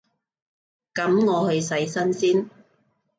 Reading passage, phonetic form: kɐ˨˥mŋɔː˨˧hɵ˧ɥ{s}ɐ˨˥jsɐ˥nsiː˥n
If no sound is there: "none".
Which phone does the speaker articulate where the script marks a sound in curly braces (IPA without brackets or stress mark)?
s